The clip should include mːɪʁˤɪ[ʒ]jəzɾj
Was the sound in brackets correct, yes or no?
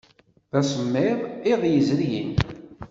no